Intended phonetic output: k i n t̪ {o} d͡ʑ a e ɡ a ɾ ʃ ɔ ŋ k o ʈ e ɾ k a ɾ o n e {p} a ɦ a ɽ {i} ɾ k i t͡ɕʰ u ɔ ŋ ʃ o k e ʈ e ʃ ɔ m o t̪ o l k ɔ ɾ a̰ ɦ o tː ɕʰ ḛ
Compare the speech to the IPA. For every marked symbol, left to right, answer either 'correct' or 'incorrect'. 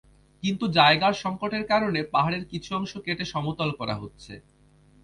incorrect: u, correct, incorrect: e

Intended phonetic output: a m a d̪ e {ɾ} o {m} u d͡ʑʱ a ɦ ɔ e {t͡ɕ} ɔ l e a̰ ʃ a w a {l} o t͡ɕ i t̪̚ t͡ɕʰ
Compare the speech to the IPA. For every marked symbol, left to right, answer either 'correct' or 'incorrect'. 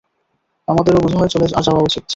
correct, incorrect: b, correct, incorrect: none

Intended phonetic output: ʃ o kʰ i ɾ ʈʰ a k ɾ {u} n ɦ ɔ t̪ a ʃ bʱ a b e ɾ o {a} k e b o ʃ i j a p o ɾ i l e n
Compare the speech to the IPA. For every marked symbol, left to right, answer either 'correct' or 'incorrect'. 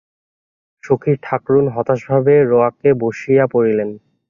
correct, correct

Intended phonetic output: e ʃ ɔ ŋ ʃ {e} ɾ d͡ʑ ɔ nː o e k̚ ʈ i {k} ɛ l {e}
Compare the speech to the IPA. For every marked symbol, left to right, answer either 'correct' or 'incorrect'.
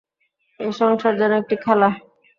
incorrect: a, incorrect: kʰ, incorrect: a

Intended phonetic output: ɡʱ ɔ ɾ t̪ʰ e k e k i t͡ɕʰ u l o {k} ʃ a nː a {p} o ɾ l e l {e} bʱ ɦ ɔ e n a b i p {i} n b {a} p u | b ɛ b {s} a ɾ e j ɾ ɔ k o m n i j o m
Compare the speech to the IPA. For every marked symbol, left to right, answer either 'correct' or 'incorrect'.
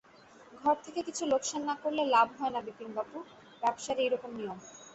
correct, incorrect: k, incorrect: a, correct, correct, incorrect: ʃ

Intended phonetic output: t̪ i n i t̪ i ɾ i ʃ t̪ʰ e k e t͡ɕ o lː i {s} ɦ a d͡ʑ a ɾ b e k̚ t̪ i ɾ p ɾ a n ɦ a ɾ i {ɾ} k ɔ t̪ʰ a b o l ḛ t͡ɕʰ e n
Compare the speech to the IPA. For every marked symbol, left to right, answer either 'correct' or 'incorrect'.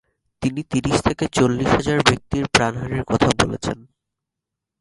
incorrect: ʃ, correct

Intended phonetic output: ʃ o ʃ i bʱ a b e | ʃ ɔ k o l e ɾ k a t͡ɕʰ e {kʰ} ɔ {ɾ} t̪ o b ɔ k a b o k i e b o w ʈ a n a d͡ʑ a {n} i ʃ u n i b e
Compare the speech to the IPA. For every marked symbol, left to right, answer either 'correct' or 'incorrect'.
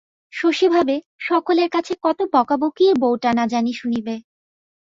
incorrect: k, incorrect: none, correct

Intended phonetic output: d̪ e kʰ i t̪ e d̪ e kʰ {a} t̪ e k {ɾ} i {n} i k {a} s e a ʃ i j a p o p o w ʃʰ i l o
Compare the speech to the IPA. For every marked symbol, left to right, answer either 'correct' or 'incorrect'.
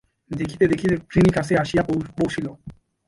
incorrect: i, correct, correct, correct

